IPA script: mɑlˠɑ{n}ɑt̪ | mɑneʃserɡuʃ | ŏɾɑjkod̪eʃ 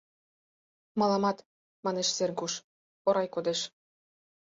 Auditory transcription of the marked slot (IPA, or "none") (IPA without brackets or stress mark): m